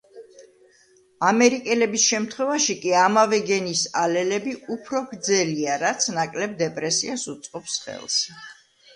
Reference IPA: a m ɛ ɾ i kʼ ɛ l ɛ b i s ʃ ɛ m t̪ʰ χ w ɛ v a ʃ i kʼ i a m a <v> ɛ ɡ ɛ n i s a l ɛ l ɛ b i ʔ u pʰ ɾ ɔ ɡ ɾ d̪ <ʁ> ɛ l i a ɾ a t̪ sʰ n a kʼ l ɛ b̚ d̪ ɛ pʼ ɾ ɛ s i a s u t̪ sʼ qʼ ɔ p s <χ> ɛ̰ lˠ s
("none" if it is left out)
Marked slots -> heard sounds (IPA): v, z, χ

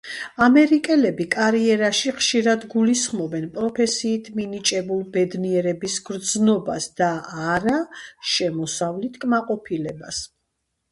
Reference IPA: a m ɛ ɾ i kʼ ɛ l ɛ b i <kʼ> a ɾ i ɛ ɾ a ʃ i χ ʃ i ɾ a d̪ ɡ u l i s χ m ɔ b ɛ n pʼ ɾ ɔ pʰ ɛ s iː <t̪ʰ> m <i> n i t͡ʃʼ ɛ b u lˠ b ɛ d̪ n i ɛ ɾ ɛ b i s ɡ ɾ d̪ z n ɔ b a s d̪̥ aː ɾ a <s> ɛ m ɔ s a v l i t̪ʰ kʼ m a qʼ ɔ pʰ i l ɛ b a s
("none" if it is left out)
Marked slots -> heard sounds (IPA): kʼ, t̪ʰ, i, ʃ

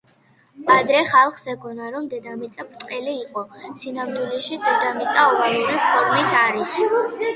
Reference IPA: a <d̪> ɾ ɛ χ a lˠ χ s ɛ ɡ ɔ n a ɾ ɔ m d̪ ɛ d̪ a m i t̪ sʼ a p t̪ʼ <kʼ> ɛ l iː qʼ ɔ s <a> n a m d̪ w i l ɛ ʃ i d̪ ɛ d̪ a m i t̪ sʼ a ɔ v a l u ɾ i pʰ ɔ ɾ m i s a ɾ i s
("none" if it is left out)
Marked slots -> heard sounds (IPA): d̪, qʼ, i

